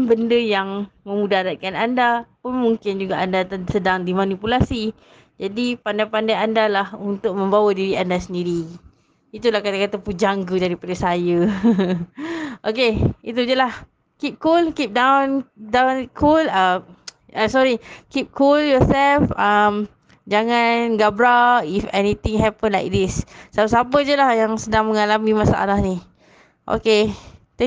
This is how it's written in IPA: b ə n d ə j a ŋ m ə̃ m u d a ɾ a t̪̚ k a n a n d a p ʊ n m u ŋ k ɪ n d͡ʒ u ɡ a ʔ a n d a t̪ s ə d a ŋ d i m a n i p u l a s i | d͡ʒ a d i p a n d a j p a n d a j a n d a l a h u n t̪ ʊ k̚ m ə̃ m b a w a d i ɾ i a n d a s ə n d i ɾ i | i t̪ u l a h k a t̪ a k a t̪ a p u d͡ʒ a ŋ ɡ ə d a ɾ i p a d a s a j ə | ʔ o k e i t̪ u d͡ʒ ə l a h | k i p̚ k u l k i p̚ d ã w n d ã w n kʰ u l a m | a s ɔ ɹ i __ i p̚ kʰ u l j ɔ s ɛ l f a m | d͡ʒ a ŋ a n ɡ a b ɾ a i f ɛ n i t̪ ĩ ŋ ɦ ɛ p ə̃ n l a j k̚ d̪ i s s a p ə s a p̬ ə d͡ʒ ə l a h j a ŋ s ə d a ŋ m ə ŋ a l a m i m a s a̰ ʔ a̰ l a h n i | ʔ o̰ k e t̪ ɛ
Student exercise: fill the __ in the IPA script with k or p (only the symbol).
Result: k